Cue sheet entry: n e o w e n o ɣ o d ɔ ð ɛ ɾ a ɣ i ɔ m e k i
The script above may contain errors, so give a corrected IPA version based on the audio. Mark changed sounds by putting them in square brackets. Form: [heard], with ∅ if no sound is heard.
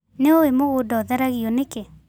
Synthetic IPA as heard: n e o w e [m] o ɣ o d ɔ ð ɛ ɾ a ɣ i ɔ [n] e k [e]